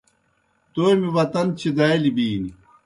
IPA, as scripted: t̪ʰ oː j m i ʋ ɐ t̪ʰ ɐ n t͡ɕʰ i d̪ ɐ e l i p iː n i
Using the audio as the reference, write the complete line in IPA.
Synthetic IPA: t̪ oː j m i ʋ ɐ t̪ ɐ n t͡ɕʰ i d̪ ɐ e l i b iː n i